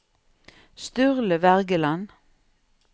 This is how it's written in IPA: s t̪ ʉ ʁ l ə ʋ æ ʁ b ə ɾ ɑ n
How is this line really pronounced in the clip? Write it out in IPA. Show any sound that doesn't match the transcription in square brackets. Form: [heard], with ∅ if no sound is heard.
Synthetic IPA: s t̪ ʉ ʁ l ə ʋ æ ʁ [ɡ] ə [l] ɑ n